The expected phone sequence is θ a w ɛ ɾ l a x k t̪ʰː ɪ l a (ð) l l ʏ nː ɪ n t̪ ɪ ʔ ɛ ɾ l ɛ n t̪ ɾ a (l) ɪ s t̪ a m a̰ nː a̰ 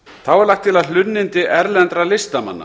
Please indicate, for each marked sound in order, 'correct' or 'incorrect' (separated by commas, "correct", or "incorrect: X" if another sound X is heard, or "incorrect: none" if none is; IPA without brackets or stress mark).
correct, correct